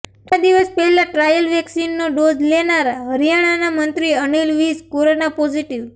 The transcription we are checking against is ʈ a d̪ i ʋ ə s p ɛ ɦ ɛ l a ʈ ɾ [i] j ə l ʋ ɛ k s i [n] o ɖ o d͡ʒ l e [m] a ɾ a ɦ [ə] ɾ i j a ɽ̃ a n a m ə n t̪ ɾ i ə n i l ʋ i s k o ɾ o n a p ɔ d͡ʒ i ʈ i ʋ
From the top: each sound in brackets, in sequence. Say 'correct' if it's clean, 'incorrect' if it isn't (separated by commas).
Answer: incorrect, incorrect, incorrect, correct